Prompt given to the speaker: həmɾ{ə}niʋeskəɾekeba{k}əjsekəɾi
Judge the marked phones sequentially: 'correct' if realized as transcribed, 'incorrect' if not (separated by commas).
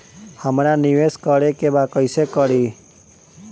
incorrect, correct